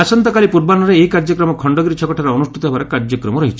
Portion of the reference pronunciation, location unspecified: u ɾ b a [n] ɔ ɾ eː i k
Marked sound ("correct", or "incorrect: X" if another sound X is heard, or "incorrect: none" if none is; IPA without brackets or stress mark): correct